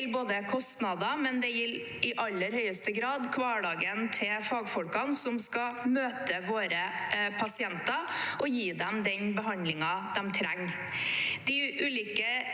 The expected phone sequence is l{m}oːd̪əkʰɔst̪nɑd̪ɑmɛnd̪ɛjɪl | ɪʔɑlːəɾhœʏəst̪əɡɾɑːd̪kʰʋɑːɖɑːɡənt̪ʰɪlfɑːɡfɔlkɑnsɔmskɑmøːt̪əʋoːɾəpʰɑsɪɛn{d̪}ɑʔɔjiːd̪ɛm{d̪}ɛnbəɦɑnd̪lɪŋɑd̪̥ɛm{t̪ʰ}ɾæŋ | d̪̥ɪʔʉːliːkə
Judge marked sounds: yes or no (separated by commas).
no, no, yes, yes